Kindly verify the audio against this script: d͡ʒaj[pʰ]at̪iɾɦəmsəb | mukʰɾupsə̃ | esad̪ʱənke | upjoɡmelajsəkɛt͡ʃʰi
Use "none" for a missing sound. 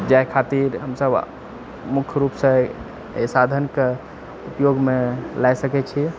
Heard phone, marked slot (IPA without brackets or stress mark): kʰ